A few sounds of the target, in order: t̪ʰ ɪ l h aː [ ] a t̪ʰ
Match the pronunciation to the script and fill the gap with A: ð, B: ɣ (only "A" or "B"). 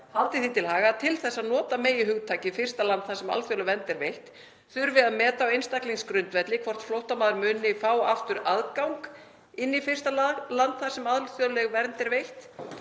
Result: B